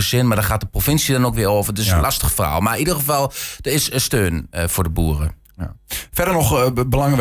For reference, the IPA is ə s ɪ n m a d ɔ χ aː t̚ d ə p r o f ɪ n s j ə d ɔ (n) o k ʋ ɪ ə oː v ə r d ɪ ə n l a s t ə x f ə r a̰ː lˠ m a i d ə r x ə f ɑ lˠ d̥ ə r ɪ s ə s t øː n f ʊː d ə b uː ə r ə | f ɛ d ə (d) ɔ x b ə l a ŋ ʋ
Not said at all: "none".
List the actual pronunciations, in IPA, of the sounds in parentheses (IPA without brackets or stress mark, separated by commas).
n, n